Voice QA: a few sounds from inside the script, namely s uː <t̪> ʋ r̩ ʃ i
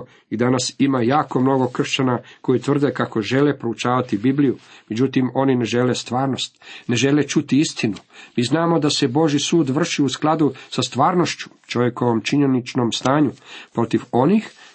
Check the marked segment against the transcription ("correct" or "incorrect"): incorrect